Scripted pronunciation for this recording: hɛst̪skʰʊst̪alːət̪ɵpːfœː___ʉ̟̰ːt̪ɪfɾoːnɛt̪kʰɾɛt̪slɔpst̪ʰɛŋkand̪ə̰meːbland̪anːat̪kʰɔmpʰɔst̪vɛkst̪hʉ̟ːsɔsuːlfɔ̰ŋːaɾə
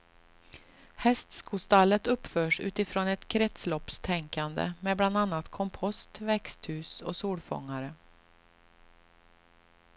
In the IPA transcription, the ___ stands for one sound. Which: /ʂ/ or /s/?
ʂ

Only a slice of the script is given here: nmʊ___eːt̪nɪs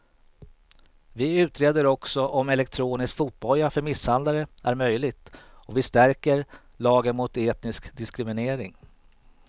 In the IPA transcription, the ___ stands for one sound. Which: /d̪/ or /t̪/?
t̪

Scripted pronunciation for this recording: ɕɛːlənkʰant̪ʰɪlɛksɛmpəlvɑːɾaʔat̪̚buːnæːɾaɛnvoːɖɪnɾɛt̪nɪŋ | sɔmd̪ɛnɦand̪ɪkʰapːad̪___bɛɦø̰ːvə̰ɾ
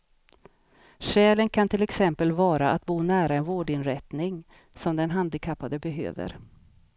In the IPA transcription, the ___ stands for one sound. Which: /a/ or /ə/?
ə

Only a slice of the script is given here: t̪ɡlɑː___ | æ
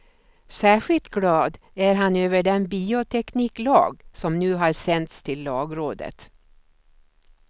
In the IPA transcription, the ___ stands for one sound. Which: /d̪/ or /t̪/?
d̪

